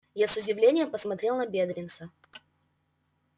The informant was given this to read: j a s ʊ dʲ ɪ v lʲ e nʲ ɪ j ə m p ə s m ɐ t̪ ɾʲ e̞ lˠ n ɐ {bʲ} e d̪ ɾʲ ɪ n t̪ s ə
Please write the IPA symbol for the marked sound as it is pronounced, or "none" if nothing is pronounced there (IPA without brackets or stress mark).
bʲ